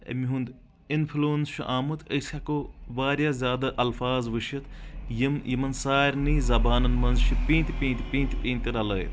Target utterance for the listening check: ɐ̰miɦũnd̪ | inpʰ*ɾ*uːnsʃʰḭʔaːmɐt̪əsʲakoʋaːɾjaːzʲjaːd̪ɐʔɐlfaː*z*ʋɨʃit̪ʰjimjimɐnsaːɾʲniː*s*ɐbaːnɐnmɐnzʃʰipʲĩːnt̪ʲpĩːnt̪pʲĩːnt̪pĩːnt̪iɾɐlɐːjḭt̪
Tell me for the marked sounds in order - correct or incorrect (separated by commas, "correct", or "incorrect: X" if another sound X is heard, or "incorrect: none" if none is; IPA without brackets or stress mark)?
incorrect: l, correct, incorrect: z